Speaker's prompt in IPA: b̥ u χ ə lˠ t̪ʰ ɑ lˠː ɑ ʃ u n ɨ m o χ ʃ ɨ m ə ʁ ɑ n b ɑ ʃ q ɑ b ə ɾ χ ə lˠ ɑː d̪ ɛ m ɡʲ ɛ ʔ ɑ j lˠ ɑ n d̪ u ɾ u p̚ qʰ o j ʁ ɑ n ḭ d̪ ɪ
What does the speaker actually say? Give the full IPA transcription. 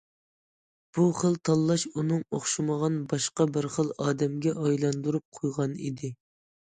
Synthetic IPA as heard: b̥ u χ ə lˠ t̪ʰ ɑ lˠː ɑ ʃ u n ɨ ŋ o χ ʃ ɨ m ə ʁ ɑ n b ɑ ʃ q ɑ b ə ɾ χ ə lˠ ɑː d̪ ɛ m ɡʲ ɛ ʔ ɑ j lˠ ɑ n d̪ u ɾ u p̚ qʰ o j ʁ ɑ n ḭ d̪ ɪ

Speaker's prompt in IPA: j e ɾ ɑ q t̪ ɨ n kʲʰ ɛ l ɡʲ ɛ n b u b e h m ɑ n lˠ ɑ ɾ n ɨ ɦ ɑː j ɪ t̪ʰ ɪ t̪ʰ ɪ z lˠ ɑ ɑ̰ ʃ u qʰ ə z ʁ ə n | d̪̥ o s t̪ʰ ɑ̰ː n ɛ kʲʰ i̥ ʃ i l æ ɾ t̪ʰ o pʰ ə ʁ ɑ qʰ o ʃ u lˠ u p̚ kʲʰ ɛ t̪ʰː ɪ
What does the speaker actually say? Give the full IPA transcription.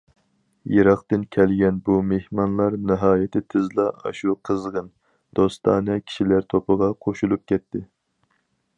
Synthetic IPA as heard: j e ɾ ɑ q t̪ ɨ n kʲʰ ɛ l ɡʲ ɛ n b u m e h m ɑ n lˠ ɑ ɾ n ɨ ɦ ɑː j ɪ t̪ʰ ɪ t̪ʰ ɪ z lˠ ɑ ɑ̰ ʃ u qʰ ə z ʁ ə n | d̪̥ o s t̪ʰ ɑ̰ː n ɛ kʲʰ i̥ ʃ i l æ ɾ t̪ʰ o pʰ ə ʁ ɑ qʰ o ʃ u lˠ u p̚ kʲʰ ɛ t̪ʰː ɪ

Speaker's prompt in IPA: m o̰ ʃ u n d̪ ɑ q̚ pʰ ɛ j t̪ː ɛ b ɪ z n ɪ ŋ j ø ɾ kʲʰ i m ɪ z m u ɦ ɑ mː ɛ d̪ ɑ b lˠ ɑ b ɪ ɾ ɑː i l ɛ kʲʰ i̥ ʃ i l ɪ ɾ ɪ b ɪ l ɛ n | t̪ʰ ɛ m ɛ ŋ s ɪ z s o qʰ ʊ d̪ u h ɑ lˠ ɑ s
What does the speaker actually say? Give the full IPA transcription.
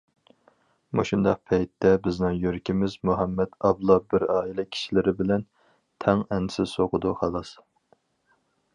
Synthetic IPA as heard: m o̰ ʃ u n d̪ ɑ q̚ pʰ ɛ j t̪ː ɛ b ɪ z n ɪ ŋ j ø ɾ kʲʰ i m ɪ z m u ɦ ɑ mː ɛ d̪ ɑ b lˠ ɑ b ɪ ɾ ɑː i l ɛ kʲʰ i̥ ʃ i l ɪ ɾ ɪ b ɪ l ɛ n | t̪ʰ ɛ ŋ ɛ n s ɪ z s o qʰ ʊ d̪ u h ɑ lˠ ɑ s

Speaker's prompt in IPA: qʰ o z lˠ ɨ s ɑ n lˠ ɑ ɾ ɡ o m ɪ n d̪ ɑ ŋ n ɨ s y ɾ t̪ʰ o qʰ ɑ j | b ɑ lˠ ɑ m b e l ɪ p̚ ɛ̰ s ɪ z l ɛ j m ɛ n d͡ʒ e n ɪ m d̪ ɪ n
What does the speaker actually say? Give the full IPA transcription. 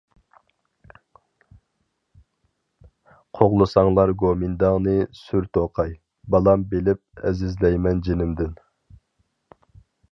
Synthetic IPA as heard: qʰ o ʁ lˠ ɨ s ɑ ŋ lˠ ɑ ɾ ɡ o m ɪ n d̪ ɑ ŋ n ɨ s y ɾ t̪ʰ o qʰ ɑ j | b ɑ lˠ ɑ m b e l ɪ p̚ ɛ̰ z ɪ z l ɛ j m ɛ n d͡ʒ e n ɪ m d̪ ɪ n

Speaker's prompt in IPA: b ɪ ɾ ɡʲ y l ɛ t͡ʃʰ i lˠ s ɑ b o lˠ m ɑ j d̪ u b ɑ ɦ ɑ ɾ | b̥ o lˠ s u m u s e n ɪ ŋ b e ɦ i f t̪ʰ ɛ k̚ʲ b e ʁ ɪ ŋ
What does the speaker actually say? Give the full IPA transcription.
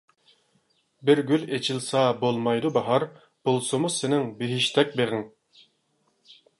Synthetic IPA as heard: b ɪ ɾ ɡʲ y l e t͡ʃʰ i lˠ s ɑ b o lˠ m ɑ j d̪ u b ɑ ɦ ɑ ɾ | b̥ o lˠ s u m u s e n ɪ ŋ b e ɦ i ʃ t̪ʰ ɛ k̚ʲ b e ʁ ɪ ŋ

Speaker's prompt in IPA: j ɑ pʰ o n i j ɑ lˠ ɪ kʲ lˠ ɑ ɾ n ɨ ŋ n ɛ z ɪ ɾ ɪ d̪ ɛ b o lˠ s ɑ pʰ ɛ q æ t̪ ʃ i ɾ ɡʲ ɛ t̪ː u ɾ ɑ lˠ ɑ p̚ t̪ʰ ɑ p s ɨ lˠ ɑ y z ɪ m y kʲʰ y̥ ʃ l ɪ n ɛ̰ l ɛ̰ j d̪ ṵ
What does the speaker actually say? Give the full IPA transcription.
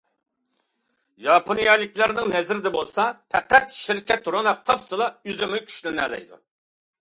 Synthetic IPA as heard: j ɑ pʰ o n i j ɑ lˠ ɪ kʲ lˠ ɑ ɾ n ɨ ŋ n ɛ z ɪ ɾ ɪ d̪ ɛ b o lˠ s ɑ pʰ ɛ q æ t̪ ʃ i ɾ kʲ ɛ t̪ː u ɾ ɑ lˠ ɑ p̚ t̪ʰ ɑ p s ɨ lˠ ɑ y z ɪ m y kʲʰ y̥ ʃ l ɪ n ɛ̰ l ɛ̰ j d̪ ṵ

